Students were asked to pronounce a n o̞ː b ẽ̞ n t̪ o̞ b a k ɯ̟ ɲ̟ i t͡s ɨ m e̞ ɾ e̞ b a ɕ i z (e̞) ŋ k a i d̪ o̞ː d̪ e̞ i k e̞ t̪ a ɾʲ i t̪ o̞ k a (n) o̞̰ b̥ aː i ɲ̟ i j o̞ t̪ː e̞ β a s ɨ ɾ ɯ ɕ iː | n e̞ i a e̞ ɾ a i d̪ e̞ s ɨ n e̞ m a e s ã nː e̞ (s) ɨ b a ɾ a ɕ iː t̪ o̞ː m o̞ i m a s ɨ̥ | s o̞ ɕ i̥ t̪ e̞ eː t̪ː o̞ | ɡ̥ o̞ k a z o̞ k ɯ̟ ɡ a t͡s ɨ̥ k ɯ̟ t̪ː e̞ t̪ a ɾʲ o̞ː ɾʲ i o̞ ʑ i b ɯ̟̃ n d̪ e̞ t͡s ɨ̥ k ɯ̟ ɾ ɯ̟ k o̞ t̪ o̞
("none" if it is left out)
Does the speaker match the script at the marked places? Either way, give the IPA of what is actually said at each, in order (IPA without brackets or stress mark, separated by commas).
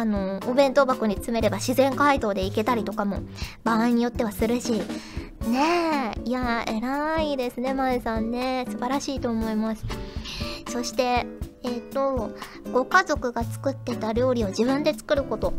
ẽ̞, m, s